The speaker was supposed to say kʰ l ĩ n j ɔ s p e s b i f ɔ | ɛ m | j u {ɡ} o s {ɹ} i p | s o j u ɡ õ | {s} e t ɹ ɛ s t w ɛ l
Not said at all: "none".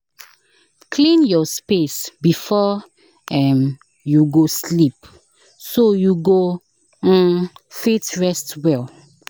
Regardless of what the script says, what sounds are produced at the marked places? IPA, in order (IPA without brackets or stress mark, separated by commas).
ɡ, l, f